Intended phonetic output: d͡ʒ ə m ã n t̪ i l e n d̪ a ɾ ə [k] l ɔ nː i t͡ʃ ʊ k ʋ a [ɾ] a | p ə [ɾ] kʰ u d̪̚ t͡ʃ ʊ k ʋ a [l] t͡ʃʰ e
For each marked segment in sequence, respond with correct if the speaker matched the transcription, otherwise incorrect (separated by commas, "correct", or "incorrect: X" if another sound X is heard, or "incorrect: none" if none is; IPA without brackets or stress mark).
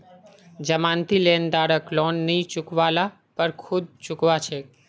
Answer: correct, incorrect: l, correct, incorrect: none